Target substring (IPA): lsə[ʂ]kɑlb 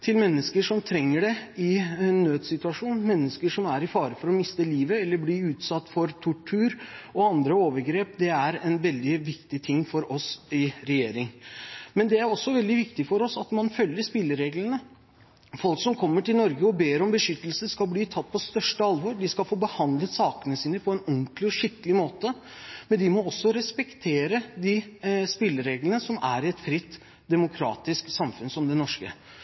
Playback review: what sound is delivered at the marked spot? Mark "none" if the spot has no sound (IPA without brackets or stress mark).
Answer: s